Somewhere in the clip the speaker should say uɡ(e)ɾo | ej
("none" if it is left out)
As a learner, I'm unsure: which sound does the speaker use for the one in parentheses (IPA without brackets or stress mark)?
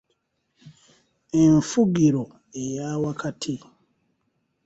i